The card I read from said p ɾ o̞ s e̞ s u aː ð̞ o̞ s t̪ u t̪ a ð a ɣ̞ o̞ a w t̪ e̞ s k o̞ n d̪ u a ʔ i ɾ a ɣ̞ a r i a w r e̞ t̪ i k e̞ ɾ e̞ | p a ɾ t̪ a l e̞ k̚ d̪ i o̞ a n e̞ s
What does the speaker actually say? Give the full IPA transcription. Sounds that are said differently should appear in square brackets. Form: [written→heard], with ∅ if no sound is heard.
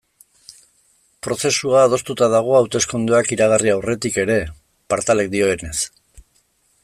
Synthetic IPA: p ɾ o̞ s e̞ s u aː ð̞ o̞ s t̪ u t̪ a ð a ɣ̞ o̞ a w t̪ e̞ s k o̞ n d̪ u a [ʔ→k] i ɾ a ɣ̞ a r i a w r e̞ t̪ i k e̞ ɾ e̞ | p a ɾ t̪ a l e̞ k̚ d̪ i o̞ [a→e] n e̞ s

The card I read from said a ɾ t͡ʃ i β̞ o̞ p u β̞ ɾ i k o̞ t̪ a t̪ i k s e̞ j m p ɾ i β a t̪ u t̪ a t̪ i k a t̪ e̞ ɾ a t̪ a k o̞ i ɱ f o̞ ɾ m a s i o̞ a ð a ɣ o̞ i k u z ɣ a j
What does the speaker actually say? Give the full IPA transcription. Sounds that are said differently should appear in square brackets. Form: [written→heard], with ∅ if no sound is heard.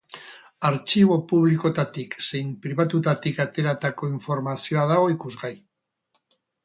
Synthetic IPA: a ɾ t͡ʃ i β̞ o̞ p u β̞ [ɾ→l] i k o̞ t̪ a t̪ i k s e̞ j m p ɾ i β a t̪ u t̪ a t̪ i k a t̪ e̞ ɾ a t̪ a k o̞ i ɱ f o̞ ɾ m a s i o̞ a ð a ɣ o̞ i k u z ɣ a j

